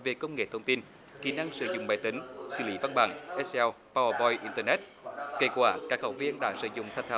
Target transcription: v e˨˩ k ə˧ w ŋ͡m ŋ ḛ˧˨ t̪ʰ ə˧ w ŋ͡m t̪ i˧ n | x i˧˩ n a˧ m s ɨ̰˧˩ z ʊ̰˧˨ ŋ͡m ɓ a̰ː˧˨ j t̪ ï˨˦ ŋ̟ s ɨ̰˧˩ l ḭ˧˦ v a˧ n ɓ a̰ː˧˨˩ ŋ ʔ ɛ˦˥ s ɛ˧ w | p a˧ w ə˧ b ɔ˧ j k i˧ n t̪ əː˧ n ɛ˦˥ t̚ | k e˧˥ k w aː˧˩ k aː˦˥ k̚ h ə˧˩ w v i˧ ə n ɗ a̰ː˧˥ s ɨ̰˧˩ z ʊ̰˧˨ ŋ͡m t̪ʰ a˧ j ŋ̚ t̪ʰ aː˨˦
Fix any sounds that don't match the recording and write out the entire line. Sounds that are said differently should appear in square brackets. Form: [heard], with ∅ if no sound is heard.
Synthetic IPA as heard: v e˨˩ k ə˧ w ŋ͡m ŋ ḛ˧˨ t̪ʰ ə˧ w ŋ͡m t̪ i˧ n | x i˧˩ n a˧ [ŋ] s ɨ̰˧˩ z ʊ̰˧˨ ŋ͡m ɓ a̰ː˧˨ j t̪ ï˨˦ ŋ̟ s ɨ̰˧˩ l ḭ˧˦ v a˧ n ɓ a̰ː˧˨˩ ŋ ʔ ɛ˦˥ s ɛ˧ w | p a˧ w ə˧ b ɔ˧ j [ʔ] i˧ n t̪ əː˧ n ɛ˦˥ t̚ | k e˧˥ k w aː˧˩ k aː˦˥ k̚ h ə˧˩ w v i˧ ə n ɗ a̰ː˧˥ s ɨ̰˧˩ z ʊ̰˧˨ ŋ͡m t̪ʰ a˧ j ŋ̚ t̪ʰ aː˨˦